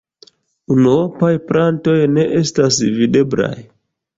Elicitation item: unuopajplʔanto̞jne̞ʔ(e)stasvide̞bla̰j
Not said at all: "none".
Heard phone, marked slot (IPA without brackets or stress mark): e